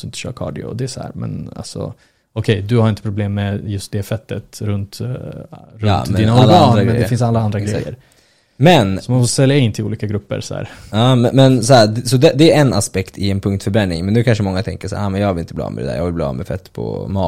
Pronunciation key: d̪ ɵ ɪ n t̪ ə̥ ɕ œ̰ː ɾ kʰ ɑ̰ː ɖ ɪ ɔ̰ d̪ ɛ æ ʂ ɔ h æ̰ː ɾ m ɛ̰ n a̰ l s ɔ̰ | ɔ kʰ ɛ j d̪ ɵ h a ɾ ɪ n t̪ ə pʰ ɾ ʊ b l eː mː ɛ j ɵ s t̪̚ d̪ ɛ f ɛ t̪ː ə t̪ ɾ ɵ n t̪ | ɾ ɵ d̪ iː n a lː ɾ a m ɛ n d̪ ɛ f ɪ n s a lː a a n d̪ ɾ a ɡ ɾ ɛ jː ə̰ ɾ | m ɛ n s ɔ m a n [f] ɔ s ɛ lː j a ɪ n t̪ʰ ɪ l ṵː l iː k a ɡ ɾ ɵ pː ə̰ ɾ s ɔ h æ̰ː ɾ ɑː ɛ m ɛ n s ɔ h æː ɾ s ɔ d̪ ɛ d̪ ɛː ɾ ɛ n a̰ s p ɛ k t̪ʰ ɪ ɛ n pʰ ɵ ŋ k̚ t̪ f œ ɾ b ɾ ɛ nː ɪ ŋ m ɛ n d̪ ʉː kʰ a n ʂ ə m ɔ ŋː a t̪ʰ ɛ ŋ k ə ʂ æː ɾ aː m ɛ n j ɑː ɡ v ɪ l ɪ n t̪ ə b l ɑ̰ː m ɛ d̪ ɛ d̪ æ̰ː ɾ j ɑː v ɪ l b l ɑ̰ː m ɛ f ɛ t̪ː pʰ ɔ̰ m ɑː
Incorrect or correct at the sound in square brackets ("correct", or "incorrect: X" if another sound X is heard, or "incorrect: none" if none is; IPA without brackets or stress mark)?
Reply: correct